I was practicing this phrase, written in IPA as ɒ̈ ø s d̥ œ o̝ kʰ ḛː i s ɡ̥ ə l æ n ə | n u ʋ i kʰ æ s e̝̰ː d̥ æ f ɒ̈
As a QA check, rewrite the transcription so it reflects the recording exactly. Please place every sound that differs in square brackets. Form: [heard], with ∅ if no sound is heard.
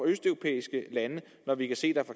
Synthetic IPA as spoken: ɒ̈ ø s d̥ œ o̝ [pʰ] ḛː i s ɡ̥ ə l æ n ə | n [ɒ] ʋ i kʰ æ s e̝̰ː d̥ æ f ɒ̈